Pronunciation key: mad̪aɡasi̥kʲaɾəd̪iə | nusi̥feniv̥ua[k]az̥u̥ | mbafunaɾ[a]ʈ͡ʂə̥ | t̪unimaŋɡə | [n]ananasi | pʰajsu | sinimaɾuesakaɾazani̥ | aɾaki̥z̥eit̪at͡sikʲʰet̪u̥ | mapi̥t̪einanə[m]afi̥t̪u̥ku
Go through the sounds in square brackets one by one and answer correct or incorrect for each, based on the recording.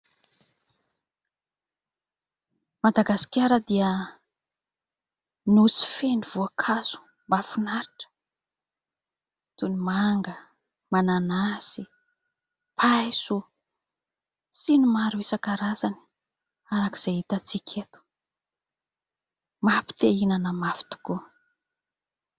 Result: incorrect: kʰ, incorrect: i, incorrect: m, correct

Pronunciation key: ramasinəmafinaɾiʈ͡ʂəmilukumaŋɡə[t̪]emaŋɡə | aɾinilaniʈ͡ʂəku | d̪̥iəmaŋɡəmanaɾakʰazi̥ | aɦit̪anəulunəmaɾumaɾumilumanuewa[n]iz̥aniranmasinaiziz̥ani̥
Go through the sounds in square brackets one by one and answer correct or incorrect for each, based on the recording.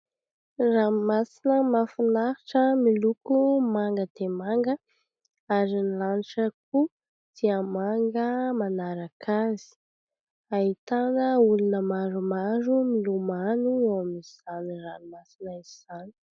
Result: incorrect: d̪, incorrect: m

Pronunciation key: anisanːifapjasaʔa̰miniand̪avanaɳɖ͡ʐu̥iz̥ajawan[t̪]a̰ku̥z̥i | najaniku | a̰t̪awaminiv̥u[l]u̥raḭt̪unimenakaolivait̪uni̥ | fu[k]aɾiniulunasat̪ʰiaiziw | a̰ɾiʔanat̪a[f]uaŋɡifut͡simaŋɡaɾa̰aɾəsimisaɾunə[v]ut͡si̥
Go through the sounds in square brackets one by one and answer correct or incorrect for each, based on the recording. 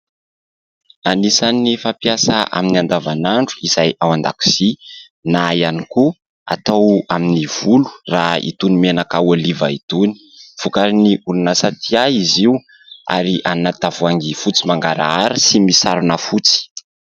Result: incorrect: d̪, correct, correct, incorrect: v, incorrect: f

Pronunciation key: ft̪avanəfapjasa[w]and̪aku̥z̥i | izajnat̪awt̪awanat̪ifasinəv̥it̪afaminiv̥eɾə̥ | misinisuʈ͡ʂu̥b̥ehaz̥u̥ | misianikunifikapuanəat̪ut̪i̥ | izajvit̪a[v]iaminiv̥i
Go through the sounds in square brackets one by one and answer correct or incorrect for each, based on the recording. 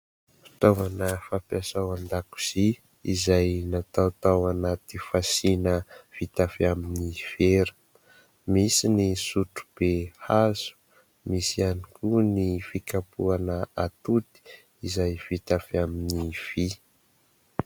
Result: correct, incorrect: f

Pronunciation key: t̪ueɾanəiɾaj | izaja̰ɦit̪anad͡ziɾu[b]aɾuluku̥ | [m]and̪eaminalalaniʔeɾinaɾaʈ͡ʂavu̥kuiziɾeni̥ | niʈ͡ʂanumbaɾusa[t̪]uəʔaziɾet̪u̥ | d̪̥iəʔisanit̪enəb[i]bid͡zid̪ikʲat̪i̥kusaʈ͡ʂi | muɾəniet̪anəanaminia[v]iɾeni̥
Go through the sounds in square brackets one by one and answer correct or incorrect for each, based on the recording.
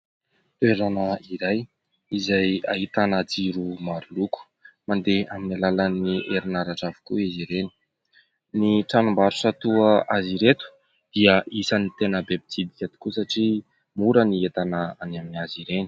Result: incorrect: m, correct, correct, incorrect: e, incorrect: z

